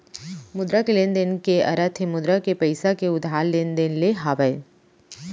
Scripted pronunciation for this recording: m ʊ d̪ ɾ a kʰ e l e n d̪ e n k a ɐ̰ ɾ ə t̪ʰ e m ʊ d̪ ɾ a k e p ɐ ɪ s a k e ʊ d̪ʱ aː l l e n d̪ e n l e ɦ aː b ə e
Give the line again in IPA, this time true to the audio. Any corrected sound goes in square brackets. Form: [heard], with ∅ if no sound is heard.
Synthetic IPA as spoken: m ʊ d̪ ɾ a [k] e l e n d̪ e n k [e] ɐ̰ ɾ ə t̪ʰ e m ʊ d̪ ɾ a k e p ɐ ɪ s a k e ʊ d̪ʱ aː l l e n d̪ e n l e ɦ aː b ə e